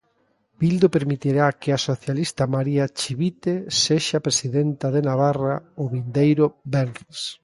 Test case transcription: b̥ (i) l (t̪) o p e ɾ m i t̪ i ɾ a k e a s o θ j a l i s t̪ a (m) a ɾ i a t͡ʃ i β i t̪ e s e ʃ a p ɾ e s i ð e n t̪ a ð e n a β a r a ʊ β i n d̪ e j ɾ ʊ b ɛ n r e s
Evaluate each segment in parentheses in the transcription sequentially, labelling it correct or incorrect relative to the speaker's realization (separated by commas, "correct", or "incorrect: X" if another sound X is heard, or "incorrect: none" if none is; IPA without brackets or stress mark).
correct, incorrect: d̪, correct